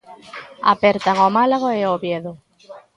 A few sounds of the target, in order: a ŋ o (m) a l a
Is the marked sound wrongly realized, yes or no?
no